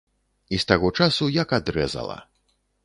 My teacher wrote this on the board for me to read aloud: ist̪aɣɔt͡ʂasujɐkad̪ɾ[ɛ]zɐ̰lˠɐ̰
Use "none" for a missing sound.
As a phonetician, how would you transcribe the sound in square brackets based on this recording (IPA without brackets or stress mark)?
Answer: ɛ